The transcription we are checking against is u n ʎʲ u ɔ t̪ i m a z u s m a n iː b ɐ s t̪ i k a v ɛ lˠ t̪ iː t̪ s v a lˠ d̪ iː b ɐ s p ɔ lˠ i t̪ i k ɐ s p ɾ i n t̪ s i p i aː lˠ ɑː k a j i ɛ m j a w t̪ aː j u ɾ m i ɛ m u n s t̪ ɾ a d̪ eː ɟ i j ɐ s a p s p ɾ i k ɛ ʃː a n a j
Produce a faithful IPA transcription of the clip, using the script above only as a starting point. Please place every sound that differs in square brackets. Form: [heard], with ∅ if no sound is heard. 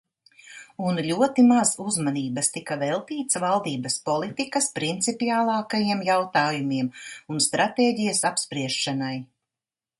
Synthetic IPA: u n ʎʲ u ɔ t̪ i m a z u [z] m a n iː b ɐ s t̪ i k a v ɛ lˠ t̪ iː t̪ s v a lˠ d̪ iː b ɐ s p ɔ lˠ i t̪ i k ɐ s p ɾ i n t̪ s i p i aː lˠ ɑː k a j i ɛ m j a w t̪ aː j u [∅] m i ɛ m u n s t̪ ɾ a [t̪] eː ɟ i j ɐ s a p s p ɾ i [∅] ɛ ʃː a n a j